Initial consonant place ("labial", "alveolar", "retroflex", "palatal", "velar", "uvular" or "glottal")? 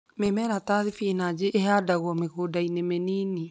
labial